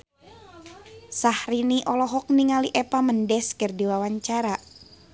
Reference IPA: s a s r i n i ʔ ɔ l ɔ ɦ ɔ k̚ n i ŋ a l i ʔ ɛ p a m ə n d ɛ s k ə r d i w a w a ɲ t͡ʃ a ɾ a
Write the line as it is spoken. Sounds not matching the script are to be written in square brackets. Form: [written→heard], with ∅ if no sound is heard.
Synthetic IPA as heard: s a [s→h] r i n i ʔ ɔ l ɔ ɦ ɔ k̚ n i ŋ a l i ʔ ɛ p a m ə n d ɛ s k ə r d i w a w a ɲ t͡ʃ a ɾ a